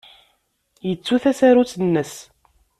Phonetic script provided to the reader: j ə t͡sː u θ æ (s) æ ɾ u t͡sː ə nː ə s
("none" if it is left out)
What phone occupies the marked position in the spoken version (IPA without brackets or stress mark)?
s